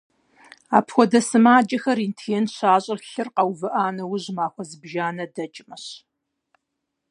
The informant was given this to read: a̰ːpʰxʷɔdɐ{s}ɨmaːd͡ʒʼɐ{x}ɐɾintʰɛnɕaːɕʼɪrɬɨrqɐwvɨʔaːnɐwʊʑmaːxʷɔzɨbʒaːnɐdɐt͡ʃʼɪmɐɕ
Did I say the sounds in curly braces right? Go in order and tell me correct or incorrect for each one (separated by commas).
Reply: correct, correct